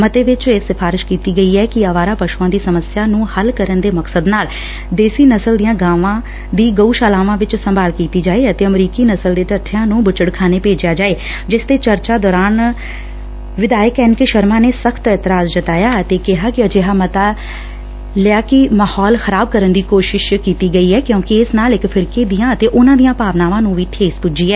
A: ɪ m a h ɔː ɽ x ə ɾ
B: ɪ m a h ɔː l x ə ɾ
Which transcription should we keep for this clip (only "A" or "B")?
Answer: B